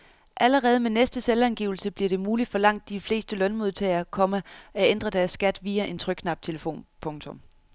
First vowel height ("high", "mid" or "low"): low